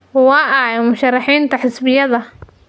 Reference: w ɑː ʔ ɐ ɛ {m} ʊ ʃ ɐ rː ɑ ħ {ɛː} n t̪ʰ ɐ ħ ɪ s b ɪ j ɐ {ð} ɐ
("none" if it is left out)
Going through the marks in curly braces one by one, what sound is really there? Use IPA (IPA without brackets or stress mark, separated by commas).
m, iː, ð